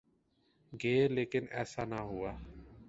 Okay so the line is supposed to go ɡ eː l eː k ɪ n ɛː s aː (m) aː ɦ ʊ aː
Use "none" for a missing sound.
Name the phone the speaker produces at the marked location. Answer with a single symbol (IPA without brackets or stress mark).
n